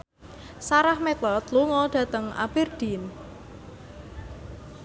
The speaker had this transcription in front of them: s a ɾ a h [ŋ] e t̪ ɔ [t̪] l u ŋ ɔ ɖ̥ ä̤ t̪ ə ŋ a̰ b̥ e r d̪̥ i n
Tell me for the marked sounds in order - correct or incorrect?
incorrect, correct

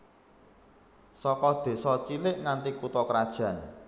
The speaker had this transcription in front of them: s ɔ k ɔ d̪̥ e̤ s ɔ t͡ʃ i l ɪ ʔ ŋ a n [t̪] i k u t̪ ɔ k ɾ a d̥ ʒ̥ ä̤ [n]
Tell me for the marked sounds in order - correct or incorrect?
correct, correct

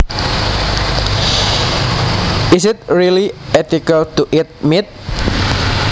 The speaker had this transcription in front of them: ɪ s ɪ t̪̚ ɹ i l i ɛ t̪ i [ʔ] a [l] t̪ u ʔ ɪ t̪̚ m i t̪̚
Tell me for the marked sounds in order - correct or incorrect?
incorrect, correct

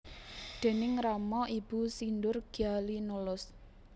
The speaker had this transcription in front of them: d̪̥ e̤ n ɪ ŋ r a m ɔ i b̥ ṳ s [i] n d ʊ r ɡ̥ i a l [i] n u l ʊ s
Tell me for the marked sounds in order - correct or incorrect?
correct, correct

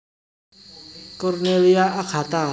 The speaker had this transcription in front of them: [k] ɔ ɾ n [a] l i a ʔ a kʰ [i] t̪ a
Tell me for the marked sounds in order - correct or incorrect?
correct, incorrect, incorrect

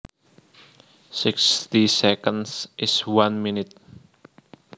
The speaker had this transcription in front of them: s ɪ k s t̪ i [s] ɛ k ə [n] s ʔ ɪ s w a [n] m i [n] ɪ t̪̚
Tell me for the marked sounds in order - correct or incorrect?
correct, correct, correct, correct

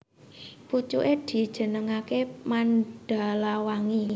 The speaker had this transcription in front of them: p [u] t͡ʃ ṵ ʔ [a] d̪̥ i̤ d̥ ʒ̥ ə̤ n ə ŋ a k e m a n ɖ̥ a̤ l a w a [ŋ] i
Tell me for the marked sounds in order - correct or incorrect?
correct, incorrect, correct

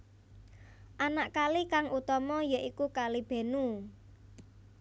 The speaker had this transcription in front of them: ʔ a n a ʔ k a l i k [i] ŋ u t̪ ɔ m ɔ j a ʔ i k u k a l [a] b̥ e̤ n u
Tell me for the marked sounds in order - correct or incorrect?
incorrect, incorrect

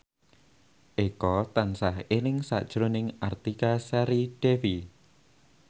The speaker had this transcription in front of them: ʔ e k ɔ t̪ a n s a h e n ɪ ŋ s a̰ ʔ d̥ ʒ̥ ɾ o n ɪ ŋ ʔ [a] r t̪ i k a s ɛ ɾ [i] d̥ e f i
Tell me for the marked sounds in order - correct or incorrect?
correct, correct

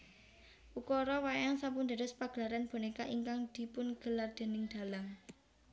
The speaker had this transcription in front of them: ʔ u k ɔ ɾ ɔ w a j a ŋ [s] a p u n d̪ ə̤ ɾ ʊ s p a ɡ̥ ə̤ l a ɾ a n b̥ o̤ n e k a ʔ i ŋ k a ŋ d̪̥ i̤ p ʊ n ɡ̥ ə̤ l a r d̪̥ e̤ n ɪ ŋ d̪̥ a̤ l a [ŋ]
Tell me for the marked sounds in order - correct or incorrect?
correct, correct

